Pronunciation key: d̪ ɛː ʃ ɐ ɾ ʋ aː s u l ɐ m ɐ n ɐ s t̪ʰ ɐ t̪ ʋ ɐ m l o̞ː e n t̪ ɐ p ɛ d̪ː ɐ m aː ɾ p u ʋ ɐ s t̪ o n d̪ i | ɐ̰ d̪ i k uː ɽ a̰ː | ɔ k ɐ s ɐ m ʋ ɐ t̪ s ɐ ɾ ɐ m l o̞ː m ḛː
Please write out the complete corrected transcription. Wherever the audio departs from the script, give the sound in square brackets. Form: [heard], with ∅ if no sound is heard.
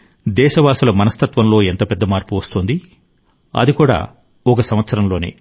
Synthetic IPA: d̪ ɛː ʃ ɐ [∅] ʋ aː s u l ɐ m ɐ n ɐ s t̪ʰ ɐ t̪ ʋ ɐ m l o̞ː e n t̪ ɐ p ɛ d̪ː ɐ m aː ɾ p u ʋ ɐ s t̪ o n d̪ i | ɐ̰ d̪ i k uː ɽ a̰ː | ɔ k ɐ s ɐ m ʋ ɐ t̪ s ɐ ɾ ɐ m l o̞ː [n] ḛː